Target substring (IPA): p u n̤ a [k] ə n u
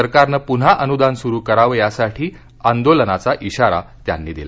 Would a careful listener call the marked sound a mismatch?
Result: yes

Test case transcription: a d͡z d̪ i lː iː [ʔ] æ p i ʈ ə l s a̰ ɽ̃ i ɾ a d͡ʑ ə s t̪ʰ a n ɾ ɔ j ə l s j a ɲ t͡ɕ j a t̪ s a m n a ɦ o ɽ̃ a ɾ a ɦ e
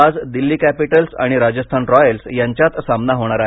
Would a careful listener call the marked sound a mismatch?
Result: yes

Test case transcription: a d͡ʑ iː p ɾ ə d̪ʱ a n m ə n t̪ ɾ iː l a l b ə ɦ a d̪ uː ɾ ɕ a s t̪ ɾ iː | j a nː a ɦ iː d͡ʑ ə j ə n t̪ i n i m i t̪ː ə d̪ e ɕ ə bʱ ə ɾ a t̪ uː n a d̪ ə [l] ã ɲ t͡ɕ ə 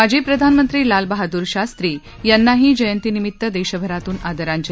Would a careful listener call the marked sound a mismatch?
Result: yes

